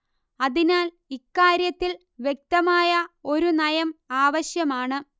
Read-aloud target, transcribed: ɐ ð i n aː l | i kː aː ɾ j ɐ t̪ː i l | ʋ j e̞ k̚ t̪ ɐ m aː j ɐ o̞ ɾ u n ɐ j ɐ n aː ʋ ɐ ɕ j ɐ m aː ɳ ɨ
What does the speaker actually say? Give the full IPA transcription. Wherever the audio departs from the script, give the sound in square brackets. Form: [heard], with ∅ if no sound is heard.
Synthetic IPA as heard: ɐ ð i n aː l | i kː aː ɾ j ɐ t̪ː i l | ʋ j e̞ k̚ t̪ ɐ m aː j ɐ o̞ ɾ u n ɐ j ɐ [m] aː ʋ ɐ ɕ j ɐ m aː ɳ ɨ

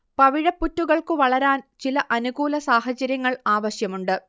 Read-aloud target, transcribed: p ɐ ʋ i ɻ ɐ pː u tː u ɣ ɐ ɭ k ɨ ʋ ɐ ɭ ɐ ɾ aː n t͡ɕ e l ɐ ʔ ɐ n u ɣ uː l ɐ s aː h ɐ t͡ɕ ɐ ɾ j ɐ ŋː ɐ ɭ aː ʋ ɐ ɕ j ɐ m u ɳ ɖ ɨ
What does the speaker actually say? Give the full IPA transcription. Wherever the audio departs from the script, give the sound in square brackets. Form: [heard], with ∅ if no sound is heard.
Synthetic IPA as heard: p ɐ ʋ i ɻ ɐ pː u tː u ɣ ɐ ɭ k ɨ ʋ ɐ ɭ ɐ ɾ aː n t͡ɕ [i] l ɐ ʔ ɐ n u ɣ uː l ɐ s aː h ɐ t͡ɕ ɐ ɾ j ɐ ŋː ɐ ɭ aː ʋ ɐ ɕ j ɐ m u ɳ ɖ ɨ

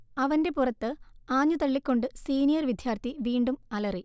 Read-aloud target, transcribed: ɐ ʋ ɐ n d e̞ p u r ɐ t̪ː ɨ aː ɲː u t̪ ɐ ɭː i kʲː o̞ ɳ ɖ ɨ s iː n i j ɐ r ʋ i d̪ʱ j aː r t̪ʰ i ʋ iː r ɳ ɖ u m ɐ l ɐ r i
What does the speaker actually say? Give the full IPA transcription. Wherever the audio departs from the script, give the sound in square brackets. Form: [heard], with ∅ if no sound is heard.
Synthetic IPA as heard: ɐ ʋ ɐ n d e̞ p u r ɐ t̪ː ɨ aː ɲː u t̪ ɐ ɭː i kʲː o̞ ɳ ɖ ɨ s iː n i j ɐ r ʋ i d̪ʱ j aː r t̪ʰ i ʋ iː [∅] ɳ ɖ u m ɐ l ɐ r i

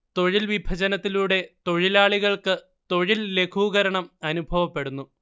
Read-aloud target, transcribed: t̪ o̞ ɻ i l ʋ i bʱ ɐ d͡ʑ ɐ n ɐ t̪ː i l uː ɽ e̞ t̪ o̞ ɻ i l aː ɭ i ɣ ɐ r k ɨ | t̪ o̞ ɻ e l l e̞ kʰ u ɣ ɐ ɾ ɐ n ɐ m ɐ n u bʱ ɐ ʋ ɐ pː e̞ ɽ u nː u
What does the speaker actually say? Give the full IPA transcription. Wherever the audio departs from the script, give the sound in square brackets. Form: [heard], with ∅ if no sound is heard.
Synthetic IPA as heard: t̪ o̞ ɻ i l ʋ i bʱ ɐ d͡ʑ ɐ n ɐ t̪ː i l uː ɽ e̞ t̪ o̞ ɻ i l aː ɭ i ɣ ɐ [ɭ] k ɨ | t̪ o̞ ɻ [i] l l e̞ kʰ [uː] ɣ ɐ ɾ ɐ [ɳ] ɐ m ɐ n u bʱ ɐ ʋ ɐ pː e̞ ɽ u nː u

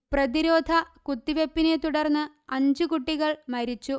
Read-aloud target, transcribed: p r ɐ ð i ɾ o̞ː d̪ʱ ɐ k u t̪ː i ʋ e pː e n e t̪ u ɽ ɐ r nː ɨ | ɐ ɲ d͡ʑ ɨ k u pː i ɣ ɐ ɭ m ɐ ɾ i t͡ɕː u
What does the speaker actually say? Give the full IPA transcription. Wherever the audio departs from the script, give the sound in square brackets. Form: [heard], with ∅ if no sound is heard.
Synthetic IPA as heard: p r ɐ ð i ɾ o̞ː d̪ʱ ɐ k u t̪ː i ʋ e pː [i] n e t̪ u ɽ ɐ r nː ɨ | ɐ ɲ d͡ʑ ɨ k u [ʈː] i ɣ ɐ ɭ m ɐ ɾ i t͡ɕː u

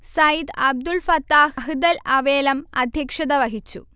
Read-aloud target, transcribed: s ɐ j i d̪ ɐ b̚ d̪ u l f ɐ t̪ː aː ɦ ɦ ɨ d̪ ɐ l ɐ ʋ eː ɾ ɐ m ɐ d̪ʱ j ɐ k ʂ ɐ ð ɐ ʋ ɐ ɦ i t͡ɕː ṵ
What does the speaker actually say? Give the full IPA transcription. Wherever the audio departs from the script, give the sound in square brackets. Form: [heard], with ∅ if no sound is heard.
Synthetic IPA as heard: s ɐ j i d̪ ɐ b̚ d̪ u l f ɐ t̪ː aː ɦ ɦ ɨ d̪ ɐ l ɐ ʋ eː [l] ɐ m ɐ d̪ʱ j ɐ k ʂ ɐ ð ɐ ʋ ɐ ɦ i t͡ɕː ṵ

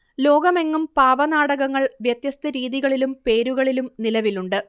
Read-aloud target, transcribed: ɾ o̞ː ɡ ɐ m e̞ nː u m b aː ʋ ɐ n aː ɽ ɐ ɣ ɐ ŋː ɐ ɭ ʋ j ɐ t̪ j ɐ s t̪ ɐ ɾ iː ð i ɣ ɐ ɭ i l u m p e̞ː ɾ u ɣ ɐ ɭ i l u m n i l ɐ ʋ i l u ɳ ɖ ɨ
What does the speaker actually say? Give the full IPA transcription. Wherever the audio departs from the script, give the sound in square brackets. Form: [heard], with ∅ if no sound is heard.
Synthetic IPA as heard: [l] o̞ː ɡ ɐ m e̞ [ŋː] u m [p] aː ʋ ɐ n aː ɽ ɐ ɣ ɐ ŋː ɐ ɭ ʋ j ɐ t̪ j ɐ s t̪ ɐ ɾ iː ð i ɣ ɐ ɭ i l u m p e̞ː ɾ u ɣ ɐ ɭ i l u m n i l ɐ ʋ i l u ɳ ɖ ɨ

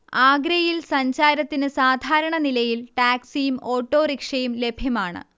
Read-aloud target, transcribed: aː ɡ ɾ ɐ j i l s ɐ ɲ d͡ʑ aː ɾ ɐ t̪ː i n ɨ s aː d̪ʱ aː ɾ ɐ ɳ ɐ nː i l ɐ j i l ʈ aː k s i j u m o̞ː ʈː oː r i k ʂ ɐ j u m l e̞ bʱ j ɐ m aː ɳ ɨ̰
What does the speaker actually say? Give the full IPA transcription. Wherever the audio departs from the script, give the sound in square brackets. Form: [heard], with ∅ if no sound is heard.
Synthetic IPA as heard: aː ɡ ɾ ɐ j i l s ɐ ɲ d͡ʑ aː ɾ ɐ t̪ː i n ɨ s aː d̪ʱ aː ɾ ɐ ɳ ɐ [n] i l ɐ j i l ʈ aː k s i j u m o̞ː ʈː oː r i k ʂ ɐ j u m l e̞ bʱ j ɐ m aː ɳ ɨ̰

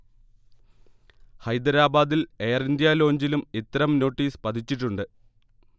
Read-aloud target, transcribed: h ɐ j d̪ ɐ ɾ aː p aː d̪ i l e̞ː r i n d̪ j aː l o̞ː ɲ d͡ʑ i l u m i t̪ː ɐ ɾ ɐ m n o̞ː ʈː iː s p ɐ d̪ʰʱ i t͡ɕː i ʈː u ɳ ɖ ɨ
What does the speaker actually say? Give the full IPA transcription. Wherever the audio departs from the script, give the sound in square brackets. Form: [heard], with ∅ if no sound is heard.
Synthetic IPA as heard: h ɐ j d̪ ɐ ɾ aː [b] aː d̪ i l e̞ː r i n d̪ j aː l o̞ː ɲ d͡ʑ i l u m i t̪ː ɐ ɾ ɐ m n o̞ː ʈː iː s p ɐ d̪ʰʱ i t͡ɕː i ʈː u ɳ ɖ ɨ

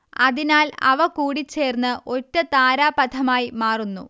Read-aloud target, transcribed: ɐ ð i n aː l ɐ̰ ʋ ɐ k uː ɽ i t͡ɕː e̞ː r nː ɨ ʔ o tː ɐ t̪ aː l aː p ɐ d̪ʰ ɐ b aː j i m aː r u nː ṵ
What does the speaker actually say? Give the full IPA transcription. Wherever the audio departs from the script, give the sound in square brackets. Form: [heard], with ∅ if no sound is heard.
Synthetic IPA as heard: ɐ ð i n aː l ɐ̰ ʋ ɐ k uː ɽ i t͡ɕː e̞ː r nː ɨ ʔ o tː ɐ t̪ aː [ɾ] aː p ɐ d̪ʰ ɐ [m] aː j i m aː r u nː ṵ

